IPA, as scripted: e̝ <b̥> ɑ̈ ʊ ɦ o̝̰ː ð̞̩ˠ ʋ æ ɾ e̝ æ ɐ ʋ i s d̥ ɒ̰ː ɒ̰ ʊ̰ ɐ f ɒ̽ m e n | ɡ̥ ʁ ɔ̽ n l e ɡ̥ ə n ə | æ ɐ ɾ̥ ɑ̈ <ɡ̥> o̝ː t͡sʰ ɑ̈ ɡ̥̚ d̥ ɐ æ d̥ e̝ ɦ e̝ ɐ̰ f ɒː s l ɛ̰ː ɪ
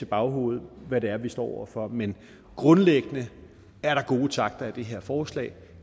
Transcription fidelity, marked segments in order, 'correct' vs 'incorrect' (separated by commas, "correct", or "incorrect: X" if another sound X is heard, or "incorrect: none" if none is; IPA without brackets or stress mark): correct, correct